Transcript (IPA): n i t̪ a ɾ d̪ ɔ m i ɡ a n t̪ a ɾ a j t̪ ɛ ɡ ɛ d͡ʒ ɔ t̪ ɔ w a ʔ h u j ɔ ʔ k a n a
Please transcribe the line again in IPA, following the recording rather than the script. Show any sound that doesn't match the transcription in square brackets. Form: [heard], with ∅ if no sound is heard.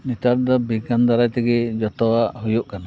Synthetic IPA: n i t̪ a ɾ d̪ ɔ [b] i ɡ a n [d̪] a ɾ a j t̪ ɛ ɡ ɛ d͡ʒ ɔ t̪ ɔ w a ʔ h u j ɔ ʔ k a n a